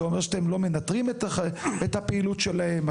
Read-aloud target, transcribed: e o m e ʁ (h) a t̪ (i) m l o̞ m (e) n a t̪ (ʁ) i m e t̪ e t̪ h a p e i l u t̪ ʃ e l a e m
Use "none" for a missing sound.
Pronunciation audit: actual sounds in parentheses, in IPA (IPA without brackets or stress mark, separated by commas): ʃ, e, e, ʁ